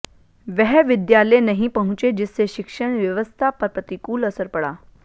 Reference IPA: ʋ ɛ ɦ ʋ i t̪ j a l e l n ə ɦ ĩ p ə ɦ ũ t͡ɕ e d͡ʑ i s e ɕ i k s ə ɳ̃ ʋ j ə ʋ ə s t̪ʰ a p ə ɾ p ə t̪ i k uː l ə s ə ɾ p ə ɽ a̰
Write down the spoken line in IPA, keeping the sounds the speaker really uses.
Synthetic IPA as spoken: ʋ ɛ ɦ ʋ i d̪ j a l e n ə ɦ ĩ p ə ɦ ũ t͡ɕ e d͡ʑ i s e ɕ i k ʂ ə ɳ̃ ʋ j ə ʋ ə s t̪ʰ a p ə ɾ p ə t̪ i k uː l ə s ə ɾ p ə ɽ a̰